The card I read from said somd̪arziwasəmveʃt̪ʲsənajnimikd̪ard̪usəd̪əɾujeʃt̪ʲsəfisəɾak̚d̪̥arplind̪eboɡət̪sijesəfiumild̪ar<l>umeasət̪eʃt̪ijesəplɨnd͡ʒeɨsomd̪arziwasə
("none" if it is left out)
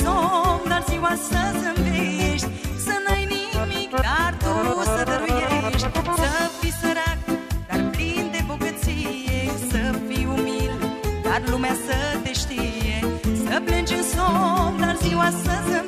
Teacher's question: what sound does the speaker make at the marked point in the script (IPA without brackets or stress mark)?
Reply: l